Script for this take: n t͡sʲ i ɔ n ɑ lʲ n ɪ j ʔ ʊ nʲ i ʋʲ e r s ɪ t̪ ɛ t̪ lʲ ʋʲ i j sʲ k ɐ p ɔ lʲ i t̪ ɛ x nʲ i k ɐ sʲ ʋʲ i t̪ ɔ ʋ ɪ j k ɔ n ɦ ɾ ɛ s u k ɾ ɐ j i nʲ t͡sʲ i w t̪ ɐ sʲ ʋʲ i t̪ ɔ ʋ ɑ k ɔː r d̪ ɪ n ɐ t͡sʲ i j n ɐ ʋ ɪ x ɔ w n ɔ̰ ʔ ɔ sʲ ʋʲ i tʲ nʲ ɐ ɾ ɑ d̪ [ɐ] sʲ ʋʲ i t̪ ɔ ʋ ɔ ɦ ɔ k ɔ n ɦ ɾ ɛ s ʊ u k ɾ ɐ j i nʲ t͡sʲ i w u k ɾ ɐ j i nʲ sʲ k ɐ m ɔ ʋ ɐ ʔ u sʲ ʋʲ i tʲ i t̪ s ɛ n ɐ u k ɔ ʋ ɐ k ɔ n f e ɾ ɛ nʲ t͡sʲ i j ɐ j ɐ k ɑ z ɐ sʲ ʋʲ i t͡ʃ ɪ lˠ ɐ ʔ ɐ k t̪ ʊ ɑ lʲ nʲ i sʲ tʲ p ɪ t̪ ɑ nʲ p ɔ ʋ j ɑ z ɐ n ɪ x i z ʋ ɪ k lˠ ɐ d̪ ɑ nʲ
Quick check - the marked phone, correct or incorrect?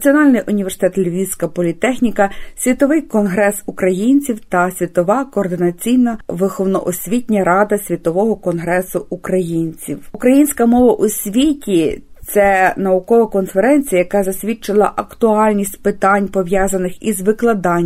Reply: correct